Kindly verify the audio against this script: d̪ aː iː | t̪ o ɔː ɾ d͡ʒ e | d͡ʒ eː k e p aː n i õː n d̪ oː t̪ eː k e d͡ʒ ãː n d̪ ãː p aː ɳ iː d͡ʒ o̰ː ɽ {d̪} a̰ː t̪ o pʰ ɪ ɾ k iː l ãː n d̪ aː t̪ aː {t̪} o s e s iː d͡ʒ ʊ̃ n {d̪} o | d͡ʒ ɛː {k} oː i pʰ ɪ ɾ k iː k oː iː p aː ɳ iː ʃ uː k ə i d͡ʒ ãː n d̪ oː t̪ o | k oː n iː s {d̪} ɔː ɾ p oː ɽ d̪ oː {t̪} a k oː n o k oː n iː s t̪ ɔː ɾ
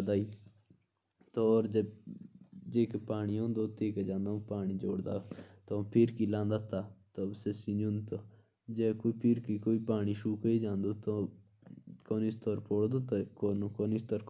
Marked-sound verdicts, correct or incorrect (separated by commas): correct, correct, incorrect, correct, incorrect, correct